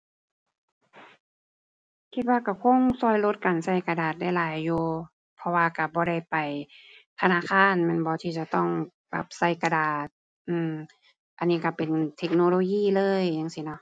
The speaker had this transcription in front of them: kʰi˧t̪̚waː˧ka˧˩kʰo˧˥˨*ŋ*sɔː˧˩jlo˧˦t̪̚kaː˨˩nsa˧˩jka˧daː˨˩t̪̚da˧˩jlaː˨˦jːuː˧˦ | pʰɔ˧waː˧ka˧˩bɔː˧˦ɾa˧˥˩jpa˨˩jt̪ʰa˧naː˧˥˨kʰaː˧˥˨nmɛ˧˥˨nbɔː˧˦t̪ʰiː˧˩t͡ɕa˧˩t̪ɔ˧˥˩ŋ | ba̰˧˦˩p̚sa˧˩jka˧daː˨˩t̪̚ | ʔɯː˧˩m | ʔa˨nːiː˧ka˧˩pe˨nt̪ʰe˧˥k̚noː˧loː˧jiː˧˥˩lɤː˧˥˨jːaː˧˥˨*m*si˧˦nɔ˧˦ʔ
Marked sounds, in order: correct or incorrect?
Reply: correct, incorrect

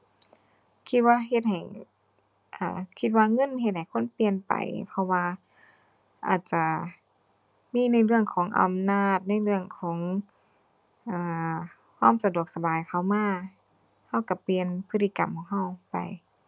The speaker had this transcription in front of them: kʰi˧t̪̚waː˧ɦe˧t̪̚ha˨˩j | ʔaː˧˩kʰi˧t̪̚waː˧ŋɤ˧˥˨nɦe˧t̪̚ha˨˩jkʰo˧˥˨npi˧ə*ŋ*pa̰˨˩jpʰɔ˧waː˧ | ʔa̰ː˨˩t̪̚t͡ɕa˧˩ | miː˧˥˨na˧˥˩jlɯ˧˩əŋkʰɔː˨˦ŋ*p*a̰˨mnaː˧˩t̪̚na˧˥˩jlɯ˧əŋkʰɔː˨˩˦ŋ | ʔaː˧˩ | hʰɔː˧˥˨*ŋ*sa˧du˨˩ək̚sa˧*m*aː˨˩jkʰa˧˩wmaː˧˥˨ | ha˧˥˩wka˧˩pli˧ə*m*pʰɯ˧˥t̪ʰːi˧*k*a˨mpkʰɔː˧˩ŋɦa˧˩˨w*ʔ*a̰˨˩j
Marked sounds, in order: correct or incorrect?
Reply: incorrect, incorrect, incorrect, incorrect, incorrect, correct, incorrect

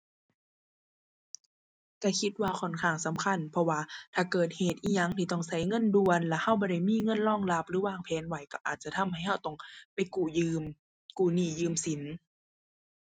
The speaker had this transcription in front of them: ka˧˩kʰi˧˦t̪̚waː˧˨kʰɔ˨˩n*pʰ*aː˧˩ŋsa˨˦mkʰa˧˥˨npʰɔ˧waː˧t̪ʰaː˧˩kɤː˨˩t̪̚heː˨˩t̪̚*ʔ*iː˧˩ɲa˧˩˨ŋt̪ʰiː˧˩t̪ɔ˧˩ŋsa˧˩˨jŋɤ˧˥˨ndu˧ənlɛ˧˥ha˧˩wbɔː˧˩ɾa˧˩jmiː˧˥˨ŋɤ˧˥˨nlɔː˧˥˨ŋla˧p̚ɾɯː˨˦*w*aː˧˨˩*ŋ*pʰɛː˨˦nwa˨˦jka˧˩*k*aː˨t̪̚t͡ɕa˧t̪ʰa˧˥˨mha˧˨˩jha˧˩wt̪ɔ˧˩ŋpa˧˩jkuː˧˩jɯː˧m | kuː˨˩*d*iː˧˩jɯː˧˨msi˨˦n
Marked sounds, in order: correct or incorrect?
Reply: incorrect, correct, correct, correct, incorrect, incorrect

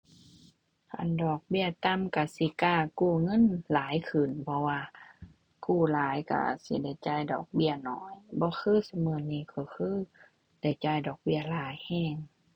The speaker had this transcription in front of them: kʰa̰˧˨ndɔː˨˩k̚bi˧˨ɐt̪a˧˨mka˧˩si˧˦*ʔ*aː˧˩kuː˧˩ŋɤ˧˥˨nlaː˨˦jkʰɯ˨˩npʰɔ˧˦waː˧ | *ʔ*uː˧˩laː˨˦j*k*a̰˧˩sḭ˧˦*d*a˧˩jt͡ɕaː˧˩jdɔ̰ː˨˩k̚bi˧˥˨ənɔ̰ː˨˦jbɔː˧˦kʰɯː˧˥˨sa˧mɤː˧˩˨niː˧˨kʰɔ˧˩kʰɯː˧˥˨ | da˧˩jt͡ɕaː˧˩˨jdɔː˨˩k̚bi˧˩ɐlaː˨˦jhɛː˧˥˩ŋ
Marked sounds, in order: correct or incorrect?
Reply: incorrect, incorrect, correct, correct

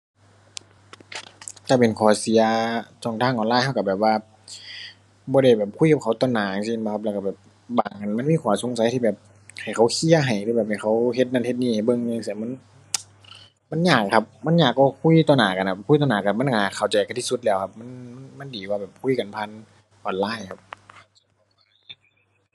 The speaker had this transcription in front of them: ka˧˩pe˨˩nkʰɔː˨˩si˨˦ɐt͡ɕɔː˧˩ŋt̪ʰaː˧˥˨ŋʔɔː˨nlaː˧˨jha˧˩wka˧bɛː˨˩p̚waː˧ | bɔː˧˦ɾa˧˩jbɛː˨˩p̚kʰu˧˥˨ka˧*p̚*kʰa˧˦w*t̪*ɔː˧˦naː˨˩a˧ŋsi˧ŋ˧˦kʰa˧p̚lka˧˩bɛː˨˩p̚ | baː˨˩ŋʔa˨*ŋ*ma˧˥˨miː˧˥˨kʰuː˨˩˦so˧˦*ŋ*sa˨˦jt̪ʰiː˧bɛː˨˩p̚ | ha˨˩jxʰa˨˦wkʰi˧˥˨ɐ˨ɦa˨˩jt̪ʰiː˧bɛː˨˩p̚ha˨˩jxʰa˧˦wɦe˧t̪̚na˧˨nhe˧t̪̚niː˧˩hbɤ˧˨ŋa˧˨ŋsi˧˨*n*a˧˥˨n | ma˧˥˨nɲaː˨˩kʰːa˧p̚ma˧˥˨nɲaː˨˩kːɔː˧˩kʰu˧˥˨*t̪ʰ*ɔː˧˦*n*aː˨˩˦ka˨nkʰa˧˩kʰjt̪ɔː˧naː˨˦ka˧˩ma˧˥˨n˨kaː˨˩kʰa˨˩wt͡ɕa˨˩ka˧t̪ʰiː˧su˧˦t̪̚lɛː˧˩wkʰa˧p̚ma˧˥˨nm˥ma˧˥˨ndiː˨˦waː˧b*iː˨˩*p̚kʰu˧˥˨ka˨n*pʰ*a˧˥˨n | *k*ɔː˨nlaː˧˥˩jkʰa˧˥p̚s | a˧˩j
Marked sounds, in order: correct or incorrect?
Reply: correct, correct, incorrect, correct, incorrect, incorrect, correct, incorrect, correct, incorrect

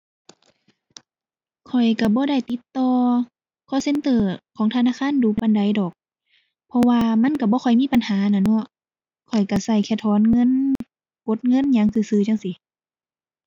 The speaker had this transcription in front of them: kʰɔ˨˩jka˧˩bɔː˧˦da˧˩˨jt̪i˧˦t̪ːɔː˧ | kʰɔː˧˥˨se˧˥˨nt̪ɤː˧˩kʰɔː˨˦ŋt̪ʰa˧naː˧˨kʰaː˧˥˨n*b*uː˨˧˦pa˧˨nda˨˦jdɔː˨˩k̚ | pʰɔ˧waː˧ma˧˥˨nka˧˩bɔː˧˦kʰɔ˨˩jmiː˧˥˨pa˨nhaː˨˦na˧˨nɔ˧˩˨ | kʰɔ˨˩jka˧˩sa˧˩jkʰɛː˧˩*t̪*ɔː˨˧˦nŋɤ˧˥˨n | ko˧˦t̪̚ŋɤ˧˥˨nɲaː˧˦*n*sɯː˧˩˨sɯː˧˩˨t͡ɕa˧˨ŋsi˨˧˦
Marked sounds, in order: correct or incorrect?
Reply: incorrect, incorrect, incorrect

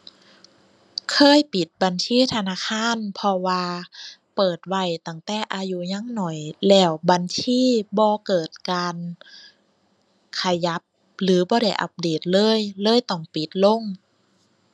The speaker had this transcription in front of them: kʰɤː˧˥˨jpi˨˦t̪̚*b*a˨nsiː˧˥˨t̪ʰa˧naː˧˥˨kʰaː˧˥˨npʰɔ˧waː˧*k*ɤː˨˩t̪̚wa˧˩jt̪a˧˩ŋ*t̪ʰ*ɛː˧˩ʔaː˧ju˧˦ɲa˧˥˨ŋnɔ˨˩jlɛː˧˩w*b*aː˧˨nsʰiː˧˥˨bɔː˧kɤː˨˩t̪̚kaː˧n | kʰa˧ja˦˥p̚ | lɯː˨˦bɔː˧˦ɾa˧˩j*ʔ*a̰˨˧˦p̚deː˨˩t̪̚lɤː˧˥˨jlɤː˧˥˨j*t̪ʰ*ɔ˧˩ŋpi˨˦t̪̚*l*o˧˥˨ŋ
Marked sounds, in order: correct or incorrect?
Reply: correct, incorrect, incorrect, correct, correct, incorrect, correct

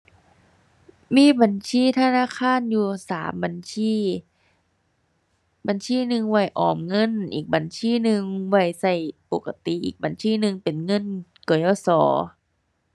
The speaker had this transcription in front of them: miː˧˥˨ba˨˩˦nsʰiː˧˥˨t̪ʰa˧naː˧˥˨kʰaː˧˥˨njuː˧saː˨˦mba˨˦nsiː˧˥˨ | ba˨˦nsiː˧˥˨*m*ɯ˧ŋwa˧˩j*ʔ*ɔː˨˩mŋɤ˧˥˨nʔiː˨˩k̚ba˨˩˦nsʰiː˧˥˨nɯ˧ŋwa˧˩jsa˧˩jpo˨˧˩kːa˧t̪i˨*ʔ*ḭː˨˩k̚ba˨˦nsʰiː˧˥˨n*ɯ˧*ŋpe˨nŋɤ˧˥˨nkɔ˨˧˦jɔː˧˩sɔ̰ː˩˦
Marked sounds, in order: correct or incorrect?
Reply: incorrect, correct, correct, correct

